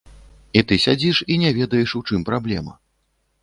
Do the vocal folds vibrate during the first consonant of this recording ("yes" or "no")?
no